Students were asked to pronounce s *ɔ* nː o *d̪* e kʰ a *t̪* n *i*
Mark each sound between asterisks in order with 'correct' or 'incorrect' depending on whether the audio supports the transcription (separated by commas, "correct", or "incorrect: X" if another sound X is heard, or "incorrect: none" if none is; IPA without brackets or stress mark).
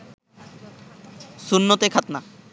incorrect: u, incorrect: t̪, correct, incorrect: a